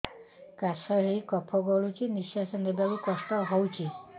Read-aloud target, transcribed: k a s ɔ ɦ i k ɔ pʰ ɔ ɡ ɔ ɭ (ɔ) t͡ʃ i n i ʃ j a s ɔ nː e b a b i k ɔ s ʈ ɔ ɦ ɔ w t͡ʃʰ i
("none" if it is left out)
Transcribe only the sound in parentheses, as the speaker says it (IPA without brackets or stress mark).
u